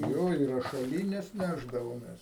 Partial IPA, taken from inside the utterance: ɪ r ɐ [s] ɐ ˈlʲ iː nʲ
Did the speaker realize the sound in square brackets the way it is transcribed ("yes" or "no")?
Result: no